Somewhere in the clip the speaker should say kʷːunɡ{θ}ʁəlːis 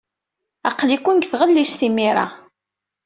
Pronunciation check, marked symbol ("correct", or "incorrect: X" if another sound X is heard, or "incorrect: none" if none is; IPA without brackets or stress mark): correct